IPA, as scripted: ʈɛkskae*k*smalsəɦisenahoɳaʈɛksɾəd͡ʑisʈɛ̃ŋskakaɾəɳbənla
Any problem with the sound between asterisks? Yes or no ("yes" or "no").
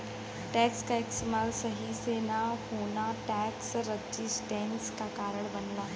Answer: no